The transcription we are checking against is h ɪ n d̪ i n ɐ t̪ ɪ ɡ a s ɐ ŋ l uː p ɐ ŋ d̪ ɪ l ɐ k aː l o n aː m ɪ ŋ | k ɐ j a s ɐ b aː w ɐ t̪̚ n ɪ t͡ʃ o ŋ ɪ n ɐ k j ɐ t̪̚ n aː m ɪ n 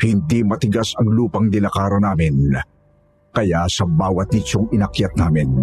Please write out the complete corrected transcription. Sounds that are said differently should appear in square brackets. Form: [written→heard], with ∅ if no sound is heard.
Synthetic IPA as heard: h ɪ n d̪ i [n→m] ɐ t̪ ɪ ɡ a s ɐ ŋ l uː p ɐ ŋ d̪ ɪ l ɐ k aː [l→ɾ] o n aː m ɪ [ŋ→n] | k ɐ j a s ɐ b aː w ɐ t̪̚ n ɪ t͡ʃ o ŋ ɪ n ɐ k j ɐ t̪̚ n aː m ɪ n